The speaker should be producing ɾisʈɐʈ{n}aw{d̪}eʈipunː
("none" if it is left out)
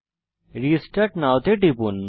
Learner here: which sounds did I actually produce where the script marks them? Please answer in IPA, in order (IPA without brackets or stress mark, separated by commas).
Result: n, t̪